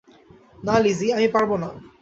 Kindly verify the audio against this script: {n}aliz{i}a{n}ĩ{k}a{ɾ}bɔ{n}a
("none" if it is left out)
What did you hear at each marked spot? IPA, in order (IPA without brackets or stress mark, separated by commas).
n, i, m, p, ɹ, n